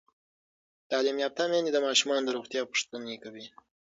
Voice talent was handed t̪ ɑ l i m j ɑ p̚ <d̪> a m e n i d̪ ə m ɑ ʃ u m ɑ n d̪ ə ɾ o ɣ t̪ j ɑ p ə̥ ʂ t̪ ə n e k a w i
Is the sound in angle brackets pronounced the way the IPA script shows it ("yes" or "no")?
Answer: no